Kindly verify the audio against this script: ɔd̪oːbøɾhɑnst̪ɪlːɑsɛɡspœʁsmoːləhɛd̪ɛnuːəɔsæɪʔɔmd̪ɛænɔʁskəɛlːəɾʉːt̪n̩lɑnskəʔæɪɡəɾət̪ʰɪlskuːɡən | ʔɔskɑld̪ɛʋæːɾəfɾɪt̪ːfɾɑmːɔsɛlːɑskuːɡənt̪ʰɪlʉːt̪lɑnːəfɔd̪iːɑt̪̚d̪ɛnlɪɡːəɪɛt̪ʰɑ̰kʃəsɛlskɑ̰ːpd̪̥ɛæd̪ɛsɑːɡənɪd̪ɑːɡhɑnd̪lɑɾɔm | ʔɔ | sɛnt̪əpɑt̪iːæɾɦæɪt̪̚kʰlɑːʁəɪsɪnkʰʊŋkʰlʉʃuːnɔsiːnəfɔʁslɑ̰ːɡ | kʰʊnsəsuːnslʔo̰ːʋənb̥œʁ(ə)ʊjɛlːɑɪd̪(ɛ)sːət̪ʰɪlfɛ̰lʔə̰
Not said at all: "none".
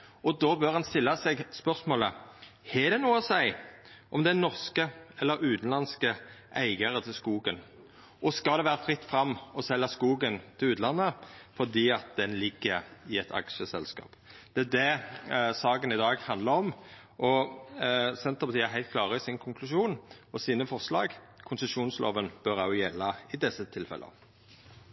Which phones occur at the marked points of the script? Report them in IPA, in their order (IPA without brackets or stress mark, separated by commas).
ɑ, ɛ